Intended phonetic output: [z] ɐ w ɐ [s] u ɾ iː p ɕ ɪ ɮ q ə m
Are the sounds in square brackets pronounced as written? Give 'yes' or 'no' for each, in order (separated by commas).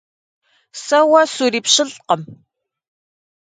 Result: no, yes